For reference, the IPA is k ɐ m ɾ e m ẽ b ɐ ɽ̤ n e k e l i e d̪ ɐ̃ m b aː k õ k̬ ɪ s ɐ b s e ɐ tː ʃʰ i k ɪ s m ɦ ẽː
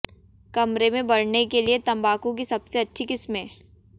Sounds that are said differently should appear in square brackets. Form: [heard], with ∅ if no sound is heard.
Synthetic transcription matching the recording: k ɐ m ɾ e m ẽ b ɐ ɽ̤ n e k e l i e [t̪] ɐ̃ m b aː k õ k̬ [i] s ɐ b s e ɐ tː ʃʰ i k ɪ s m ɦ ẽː